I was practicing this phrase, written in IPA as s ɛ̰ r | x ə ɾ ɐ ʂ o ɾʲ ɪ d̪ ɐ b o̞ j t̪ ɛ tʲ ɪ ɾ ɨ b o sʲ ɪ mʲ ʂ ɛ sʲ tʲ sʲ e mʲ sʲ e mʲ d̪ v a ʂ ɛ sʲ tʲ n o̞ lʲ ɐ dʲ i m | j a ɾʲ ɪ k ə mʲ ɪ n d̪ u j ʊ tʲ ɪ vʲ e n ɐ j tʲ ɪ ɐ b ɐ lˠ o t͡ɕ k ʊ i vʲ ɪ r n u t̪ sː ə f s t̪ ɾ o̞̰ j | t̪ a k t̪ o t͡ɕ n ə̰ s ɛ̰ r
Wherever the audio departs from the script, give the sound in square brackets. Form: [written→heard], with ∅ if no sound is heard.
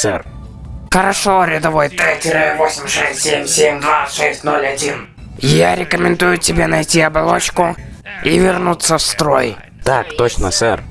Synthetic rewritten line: s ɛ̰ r | x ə ɾ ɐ ʂ o ɾʲ ɪ d̪ ɐ [b→v] o̞ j t̪ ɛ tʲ ɪ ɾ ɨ [b→v] o sʲ ɪ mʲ ʂ ɛ sʲ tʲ sʲ e mʲ sʲ e mʲ d̪ v a ʂ ɛ sʲ tʲ n o̞ lʲ ɐ dʲ i [m→n] | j a ɾʲ ɪ k ə mʲ ɪ n d̪ u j ʊ tʲ ɪ [vʲ→bʲ] e n ɐ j tʲ [ɪ→i] ɐ b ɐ lˠ o t͡ɕ k ʊ i vʲ ɪ r n u t̪ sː ə f s t̪ ɾ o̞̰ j | t̪ a k t̪ o t͡ɕ n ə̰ s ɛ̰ r